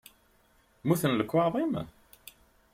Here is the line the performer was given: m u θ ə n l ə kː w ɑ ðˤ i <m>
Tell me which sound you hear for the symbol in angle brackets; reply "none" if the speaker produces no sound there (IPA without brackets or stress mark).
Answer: m